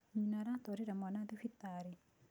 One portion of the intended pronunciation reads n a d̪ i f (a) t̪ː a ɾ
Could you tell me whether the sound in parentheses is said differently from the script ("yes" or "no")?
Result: yes